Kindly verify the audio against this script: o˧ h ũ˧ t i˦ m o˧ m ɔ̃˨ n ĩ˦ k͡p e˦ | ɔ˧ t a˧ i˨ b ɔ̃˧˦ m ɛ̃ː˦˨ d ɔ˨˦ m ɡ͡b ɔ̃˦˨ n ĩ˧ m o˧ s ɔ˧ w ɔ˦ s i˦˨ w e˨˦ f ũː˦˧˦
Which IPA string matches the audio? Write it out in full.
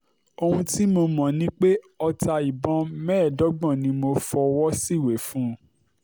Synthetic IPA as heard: o˧ h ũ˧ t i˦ m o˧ m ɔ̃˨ n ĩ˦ k͡p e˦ | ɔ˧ t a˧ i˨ b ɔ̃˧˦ m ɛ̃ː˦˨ d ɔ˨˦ ɡ͡b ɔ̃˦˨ n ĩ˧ m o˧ f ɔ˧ w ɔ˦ s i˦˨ w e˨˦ f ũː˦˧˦